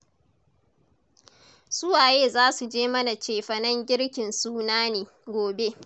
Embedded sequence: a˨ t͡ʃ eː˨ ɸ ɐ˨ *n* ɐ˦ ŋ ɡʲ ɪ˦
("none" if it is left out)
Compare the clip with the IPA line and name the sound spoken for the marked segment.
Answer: n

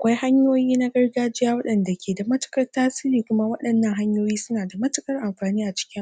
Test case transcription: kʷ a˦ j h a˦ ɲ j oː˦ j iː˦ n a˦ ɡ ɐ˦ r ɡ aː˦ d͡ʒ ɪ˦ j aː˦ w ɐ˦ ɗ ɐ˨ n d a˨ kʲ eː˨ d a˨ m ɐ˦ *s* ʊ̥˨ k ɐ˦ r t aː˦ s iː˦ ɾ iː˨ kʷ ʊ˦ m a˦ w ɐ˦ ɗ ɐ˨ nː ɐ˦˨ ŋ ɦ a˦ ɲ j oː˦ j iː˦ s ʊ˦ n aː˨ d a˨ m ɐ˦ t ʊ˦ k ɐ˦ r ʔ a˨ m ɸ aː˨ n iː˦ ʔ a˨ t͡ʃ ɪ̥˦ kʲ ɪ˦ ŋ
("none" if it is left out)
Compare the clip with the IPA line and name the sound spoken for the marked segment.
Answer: t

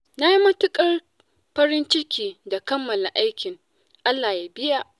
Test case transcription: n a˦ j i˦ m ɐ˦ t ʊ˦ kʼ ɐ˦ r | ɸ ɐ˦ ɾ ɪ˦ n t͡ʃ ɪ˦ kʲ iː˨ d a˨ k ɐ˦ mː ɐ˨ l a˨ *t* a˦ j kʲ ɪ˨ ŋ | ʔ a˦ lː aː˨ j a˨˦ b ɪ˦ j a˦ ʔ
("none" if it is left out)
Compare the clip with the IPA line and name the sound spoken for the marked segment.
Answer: ʔ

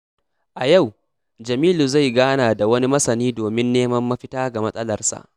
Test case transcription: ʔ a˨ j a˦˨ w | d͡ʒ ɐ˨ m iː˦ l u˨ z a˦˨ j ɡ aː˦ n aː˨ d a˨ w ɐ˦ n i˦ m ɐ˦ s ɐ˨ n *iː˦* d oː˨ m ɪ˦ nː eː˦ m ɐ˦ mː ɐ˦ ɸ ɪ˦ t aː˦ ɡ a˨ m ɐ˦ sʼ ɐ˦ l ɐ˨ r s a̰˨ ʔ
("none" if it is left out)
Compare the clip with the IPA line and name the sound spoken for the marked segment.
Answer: iː˦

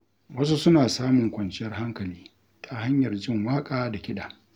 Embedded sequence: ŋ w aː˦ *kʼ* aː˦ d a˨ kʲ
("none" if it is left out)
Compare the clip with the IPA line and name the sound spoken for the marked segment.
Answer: kʼ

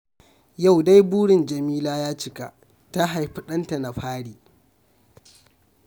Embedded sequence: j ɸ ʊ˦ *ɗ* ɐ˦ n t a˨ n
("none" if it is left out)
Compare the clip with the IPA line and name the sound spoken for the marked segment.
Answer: ɗ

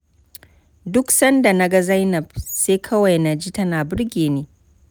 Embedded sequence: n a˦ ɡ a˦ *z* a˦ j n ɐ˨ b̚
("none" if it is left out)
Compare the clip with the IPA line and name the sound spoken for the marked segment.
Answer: z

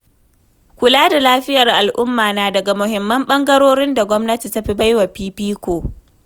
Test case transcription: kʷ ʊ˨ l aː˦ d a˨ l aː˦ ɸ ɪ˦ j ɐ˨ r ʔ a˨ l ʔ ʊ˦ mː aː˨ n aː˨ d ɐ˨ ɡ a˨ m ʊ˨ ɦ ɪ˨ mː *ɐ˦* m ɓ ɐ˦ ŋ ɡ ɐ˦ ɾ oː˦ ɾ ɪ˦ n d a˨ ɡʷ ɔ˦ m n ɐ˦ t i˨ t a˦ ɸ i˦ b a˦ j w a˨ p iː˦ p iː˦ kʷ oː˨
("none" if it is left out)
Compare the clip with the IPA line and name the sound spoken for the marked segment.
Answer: ɐ˦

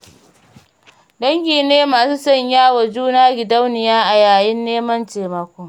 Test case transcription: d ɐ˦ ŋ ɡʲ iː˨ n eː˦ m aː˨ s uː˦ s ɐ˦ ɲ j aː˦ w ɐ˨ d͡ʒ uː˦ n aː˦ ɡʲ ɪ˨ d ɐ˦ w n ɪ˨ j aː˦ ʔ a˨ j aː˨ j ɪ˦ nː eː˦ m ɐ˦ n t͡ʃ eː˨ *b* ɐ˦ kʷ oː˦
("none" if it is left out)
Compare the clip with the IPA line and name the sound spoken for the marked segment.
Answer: m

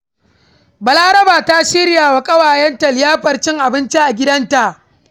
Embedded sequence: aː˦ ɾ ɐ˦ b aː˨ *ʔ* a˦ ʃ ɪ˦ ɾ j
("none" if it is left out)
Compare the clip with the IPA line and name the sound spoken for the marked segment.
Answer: t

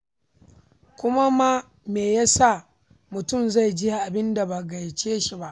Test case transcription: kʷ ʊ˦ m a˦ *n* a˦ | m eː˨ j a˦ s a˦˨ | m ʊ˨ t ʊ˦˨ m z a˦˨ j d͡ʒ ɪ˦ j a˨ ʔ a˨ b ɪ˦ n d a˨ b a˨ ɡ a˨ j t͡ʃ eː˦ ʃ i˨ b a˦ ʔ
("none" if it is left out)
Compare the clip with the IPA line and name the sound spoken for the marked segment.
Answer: m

